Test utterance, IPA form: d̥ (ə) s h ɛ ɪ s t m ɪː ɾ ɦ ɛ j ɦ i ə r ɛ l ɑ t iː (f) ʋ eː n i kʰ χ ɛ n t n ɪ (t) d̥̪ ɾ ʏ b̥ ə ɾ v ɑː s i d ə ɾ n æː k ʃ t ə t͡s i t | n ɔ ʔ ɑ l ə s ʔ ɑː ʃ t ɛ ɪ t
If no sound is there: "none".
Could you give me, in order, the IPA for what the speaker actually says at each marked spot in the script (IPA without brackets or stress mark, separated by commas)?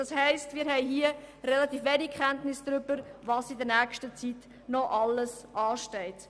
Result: ɑ, f, s